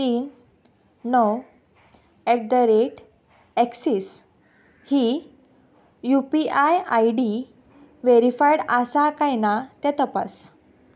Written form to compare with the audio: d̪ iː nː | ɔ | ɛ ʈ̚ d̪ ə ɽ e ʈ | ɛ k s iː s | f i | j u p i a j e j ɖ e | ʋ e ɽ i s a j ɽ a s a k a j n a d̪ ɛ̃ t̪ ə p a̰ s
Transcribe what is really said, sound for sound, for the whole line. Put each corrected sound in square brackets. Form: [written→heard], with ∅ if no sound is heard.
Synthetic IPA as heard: [d̪→t̪] iː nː | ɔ | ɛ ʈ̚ d̪ ə [ɽ→ɾ] e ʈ | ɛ k s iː s | [f→h] i | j u p i a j [e→a] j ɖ [e→i] | ʋ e [ɽ→ɾ] i [s→f] a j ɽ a s a k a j n a [d̪→t̪] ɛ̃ t̪ ə p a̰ s